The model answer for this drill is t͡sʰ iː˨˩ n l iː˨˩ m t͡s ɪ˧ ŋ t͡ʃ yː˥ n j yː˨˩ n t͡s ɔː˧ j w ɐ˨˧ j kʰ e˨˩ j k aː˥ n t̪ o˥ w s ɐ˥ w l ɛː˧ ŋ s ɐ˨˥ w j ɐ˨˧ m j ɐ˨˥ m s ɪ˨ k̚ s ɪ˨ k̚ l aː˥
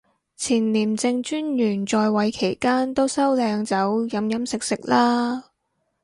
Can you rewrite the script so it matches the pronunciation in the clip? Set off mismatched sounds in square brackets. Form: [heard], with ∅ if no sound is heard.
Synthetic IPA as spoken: t͡sʰ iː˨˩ n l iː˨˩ m t͡s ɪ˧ ŋ t͡ʃ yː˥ n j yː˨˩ n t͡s ɔː˧ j w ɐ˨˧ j kʰ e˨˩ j k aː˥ n t̪ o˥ w s ɐ˥ w l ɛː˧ ŋ [t͡s] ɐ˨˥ w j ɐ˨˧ m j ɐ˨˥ m s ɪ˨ k̚ s ɪ˨ k̚ l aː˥